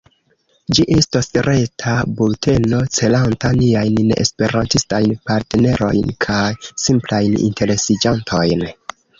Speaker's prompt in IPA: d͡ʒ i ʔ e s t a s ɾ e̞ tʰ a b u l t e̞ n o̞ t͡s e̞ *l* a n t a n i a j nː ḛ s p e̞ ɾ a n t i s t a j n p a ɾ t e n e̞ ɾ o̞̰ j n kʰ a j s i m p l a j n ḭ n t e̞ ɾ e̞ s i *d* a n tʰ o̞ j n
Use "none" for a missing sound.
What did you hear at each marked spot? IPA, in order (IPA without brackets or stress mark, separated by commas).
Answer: l, d͡ʒ